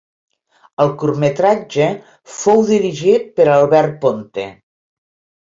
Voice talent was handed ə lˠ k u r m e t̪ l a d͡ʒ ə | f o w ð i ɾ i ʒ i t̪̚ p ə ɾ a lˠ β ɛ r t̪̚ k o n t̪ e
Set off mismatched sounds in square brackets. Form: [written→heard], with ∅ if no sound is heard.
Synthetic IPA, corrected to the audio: ə lˠ k u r m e t̪ [l→ɾ] a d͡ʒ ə | f o w ð i ɾ i ʒ i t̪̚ p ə ɾ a lˠ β ɛ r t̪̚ [k→p] o n t̪ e

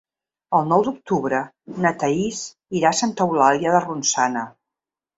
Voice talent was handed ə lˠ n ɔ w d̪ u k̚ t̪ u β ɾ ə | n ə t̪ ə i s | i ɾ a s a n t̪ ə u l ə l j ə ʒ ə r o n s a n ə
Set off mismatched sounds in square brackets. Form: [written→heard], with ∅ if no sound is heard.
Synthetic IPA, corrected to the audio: ə lˠ n ɔ w d̪ u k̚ t̪ u β ɾ ə | n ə t̪ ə i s | i ɾ a s a n t̪ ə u l [ə→a] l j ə [ʒ→ð] ə r [o→u] n s a n ə

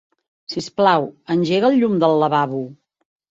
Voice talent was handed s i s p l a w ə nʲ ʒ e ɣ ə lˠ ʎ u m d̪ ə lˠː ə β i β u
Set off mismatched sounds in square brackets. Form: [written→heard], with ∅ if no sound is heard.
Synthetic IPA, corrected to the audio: s i s p l a w ə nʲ ʒ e ɣ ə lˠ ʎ u m d̪ ə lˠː ə β [i→a] β u

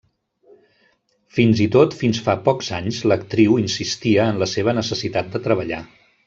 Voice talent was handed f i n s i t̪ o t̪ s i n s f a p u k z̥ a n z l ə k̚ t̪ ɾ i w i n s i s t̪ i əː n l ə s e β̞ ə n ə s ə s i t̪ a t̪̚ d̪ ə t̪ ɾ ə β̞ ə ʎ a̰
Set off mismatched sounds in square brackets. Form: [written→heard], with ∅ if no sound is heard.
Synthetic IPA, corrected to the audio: f i n [s→z] i t̪ o t̪ [s→f] i n s f a p [u→ɔ] k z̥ a [n→ɲ] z l ə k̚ t̪ ɾ i w i n s i s t̪ i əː n l ə s e β̞ ə n ə s ə s i t̪ a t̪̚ d̪ ə t̪ ɾ ə β̞ ə ʎ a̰

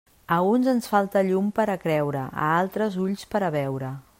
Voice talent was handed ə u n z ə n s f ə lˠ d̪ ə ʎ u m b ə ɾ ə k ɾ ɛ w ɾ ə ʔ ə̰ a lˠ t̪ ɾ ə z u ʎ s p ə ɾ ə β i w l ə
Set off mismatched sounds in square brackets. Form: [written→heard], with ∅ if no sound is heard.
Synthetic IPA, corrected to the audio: ə u n z ə n s f [ə→a] lˠ [d̪→t̪] ə ʎ u m [b→p] ə ɾ ə k ɾ ɛ w ɾ ə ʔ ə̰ a lˠ t̪ ɾ ə z u ʎ s p ə ɾ ə β [i→ɛ] w [l→ɾ] ə

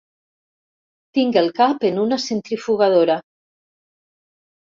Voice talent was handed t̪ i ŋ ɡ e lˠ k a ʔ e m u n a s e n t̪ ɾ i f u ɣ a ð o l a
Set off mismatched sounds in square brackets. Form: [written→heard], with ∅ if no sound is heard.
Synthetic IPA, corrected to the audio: t̪ i ŋ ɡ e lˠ k a [ʔ→p] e [m→n] u n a s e n t̪ ɾ i f u ɣ a ð o [l→ɾ] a

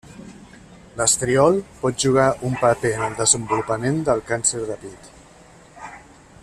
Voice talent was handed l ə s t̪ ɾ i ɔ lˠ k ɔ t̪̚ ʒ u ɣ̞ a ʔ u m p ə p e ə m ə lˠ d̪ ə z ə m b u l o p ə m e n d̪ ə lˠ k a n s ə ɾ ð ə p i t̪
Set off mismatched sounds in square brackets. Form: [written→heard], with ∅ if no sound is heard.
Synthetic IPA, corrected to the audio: l ə s t̪ ɾ i ɔ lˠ [k→p] ɔ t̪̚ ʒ u ɣ̞ a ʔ u m p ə p e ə [m→n] ə lˠ d̪ ə z ə m b u l [o→u] p ə m e n d̪ ə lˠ k a n s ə ɾ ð ə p i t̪

